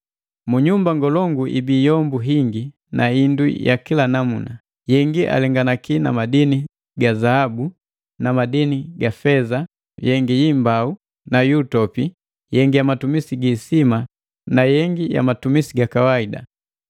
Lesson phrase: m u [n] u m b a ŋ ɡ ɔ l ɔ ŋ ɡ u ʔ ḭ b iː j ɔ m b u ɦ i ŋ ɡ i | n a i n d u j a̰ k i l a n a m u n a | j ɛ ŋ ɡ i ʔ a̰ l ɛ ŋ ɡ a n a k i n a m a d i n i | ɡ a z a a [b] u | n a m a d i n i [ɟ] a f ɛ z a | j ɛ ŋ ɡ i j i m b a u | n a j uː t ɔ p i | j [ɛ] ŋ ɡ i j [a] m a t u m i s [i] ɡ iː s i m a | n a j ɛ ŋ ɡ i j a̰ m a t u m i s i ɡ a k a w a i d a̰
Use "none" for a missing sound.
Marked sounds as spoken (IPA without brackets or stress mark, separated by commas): ɲ, b, ɡ, ɛ, a, i